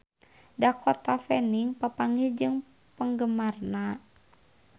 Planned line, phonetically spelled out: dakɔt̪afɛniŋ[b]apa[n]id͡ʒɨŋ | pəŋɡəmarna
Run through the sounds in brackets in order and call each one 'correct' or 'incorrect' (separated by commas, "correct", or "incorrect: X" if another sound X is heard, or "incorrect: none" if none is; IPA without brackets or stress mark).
incorrect: p, incorrect: ŋ